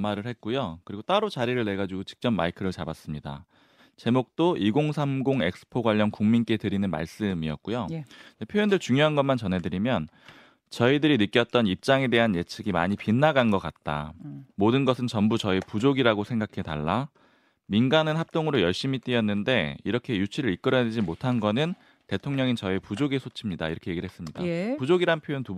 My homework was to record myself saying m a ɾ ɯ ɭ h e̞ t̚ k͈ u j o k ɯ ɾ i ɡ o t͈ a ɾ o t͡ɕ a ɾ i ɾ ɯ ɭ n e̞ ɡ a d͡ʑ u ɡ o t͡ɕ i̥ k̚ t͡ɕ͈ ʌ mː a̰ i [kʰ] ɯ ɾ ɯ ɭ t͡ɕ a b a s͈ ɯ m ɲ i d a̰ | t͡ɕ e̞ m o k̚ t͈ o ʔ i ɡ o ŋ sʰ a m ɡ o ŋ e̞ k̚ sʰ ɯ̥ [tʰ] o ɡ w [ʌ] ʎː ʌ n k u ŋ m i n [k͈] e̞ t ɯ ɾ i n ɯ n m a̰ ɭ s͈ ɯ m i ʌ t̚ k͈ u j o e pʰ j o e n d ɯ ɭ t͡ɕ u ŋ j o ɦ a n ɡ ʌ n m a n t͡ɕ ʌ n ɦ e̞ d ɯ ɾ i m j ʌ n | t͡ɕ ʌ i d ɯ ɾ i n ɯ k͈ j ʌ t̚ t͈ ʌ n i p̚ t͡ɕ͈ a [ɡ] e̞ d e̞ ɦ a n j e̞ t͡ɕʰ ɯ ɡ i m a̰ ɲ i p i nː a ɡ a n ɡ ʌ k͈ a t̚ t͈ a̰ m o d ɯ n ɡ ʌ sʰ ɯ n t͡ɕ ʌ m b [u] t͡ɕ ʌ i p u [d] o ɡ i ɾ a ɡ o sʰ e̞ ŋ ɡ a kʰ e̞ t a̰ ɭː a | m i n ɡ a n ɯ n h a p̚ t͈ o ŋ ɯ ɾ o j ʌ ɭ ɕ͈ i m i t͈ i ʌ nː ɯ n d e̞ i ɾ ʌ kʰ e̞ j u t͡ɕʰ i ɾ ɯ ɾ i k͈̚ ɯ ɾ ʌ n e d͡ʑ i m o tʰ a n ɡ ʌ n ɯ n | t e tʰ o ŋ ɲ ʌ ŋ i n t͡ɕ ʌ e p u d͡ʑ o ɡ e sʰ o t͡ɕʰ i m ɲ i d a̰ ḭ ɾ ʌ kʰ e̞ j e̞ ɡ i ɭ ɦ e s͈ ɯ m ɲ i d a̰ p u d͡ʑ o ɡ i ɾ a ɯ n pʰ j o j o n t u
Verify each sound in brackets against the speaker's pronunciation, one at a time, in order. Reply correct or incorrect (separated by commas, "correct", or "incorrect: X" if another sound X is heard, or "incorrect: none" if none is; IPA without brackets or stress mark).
correct, incorrect: pʰ, incorrect: a, correct, incorrect: ŋ, correct, incorrect: d͡ʑ